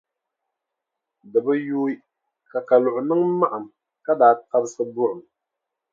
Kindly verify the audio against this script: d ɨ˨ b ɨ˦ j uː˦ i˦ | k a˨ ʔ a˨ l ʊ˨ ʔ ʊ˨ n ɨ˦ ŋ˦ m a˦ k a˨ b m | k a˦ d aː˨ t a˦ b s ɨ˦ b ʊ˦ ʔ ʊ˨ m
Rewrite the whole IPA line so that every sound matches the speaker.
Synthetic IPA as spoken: d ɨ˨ b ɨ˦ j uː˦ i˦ | k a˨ k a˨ l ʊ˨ ʔ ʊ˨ n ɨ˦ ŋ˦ m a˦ ʔ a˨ m | k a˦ d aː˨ t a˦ b s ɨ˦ b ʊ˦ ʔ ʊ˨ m